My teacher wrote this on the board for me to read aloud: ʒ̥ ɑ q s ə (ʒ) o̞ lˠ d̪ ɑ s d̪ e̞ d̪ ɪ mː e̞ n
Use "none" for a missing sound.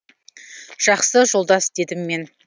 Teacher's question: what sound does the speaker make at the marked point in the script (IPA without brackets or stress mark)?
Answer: ʒ